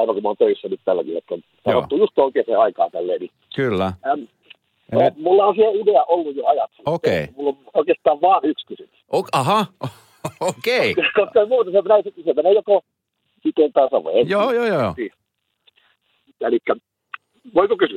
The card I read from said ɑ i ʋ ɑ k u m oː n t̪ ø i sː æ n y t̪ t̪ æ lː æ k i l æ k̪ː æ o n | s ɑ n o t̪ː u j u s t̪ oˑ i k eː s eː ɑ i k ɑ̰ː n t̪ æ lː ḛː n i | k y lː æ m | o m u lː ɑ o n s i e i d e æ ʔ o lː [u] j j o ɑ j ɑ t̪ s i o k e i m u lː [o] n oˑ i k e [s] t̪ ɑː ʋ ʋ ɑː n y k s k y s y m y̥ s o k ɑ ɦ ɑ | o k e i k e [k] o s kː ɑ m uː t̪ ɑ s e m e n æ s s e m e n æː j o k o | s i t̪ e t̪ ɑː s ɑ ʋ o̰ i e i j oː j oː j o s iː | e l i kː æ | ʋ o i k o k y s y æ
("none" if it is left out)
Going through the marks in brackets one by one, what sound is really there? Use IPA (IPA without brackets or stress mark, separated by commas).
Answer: u, o, s, k